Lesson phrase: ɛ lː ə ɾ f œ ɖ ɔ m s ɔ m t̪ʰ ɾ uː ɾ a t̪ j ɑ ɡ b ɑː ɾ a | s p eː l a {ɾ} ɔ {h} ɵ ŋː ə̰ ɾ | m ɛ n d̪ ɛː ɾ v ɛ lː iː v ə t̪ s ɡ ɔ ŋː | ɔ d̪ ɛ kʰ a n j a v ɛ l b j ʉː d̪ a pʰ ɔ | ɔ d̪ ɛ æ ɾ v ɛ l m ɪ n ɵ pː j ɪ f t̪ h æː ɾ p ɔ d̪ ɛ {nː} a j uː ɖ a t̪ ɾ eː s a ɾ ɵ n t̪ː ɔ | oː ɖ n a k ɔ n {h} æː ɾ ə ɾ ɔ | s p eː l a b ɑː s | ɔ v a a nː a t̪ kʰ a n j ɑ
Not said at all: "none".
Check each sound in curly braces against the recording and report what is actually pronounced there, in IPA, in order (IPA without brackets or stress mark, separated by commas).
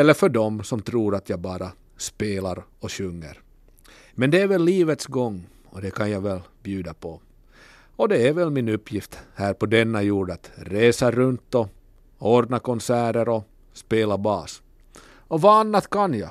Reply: ɾ, ɕ, nː, s